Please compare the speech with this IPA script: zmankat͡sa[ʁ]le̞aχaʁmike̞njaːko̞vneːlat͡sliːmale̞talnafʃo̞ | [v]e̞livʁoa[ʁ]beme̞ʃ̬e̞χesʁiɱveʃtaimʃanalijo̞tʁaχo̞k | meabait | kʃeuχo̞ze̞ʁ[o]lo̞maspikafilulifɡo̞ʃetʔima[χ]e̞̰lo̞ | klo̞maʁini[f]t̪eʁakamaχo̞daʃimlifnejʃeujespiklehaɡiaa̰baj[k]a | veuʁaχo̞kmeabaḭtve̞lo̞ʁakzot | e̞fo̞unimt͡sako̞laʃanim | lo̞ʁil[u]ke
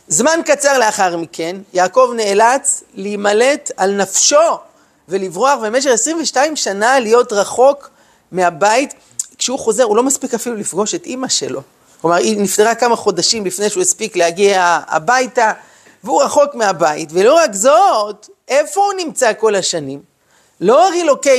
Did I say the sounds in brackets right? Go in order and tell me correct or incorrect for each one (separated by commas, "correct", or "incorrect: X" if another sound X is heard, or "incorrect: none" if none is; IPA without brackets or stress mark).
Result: correct, correct, incorrect: χ, incorrect: u, incorrect: ʃ, correct, incorrect: t, incorrect: o